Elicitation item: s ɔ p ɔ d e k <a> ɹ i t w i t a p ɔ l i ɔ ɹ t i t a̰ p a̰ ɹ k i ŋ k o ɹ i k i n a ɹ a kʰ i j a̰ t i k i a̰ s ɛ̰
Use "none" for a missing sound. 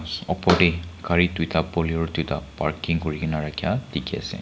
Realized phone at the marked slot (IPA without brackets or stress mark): a